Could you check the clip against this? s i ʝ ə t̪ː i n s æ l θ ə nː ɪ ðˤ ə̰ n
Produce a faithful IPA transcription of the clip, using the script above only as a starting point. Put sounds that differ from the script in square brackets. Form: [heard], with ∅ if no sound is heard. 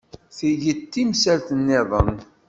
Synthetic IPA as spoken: [θ] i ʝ ə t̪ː i [m] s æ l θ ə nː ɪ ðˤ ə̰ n